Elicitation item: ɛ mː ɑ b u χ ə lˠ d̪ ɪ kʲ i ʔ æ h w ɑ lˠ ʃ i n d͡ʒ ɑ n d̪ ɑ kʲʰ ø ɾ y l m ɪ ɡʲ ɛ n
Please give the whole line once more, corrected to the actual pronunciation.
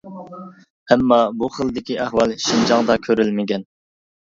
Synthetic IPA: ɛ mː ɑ b u χ ə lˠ d̪ ɪ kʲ i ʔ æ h w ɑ lˠ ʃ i n d͡ʒ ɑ ŋ d̪ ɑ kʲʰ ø ɾ y l m ɪ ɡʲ ɛ n